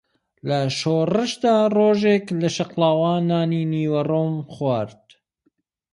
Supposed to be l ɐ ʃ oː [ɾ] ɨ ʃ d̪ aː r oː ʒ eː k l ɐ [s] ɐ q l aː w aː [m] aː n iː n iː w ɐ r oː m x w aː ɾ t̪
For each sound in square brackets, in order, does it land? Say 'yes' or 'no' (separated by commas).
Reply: no, no, no